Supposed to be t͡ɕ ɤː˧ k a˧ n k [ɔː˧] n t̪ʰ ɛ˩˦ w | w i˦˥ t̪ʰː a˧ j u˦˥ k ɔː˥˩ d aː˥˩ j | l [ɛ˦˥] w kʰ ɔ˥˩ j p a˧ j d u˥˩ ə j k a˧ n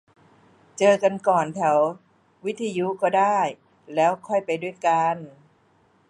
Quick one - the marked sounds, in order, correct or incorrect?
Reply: incorrect, incorrect

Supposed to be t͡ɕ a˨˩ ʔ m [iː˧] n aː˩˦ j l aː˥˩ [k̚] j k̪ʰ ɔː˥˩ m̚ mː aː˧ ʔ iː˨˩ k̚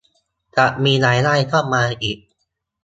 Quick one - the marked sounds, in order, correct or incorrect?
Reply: correct, incorrect

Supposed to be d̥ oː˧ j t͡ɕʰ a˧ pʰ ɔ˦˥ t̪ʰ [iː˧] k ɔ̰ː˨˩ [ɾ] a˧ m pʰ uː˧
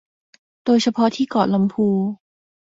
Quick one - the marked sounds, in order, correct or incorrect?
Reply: incorrect, incorrect

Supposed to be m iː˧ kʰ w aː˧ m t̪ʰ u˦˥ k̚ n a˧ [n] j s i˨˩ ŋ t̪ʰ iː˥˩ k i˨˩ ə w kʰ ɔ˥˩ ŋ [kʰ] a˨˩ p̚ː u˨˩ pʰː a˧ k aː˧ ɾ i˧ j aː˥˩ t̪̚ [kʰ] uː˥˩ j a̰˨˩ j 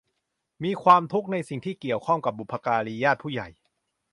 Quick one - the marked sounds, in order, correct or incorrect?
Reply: incorrect, incorrect, incorrect

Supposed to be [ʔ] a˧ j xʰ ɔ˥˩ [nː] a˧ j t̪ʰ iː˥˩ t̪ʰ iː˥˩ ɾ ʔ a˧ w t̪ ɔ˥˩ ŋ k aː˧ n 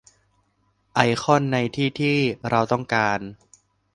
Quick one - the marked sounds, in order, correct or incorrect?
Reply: correct, correct

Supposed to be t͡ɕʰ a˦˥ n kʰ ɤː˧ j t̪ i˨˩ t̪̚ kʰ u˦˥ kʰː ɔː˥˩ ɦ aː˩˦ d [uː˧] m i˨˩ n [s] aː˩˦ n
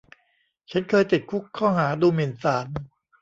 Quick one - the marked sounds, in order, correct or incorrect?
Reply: correct, correct

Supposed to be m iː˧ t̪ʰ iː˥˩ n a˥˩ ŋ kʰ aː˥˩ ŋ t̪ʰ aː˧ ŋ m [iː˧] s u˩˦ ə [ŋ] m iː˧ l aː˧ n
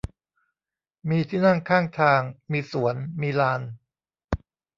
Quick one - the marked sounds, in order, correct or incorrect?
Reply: correct, incorrect

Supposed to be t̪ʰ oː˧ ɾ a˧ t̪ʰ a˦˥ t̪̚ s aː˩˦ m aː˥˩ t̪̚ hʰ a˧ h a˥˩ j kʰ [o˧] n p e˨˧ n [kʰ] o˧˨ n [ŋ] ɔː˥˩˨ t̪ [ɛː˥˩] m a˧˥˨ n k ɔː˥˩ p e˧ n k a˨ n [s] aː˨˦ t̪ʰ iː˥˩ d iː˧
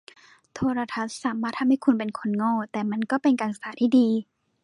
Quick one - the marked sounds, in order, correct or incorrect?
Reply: incorrect, correct, correct, incorrect, correct

